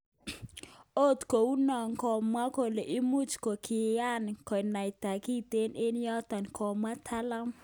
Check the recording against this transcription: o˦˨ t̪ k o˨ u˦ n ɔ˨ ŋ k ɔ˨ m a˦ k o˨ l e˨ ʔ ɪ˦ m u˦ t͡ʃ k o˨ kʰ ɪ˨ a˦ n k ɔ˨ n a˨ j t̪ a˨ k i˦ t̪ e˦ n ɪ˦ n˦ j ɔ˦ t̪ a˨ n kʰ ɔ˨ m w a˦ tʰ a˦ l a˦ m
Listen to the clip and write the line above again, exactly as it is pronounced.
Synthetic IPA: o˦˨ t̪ k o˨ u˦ n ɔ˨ ŋ k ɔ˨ m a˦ k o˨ l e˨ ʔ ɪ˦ m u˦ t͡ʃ k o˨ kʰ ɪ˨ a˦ n k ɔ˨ n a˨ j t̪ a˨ k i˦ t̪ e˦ n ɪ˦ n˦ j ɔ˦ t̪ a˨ n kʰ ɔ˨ m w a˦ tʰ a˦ l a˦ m